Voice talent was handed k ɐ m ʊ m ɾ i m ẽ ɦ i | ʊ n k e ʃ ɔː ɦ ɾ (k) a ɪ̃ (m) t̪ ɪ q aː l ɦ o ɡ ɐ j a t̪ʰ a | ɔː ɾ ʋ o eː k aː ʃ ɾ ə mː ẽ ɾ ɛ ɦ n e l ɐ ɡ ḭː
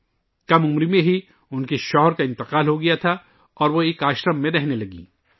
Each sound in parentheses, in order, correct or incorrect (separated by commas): correct, incorrect